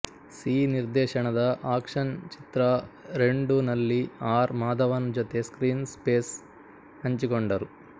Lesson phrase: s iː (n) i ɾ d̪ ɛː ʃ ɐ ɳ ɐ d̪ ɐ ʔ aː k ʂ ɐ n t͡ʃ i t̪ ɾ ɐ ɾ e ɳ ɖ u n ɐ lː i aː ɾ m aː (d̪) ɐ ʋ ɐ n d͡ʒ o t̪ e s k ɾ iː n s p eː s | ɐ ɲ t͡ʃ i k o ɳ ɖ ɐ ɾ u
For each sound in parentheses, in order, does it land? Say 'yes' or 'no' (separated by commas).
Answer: yes, yes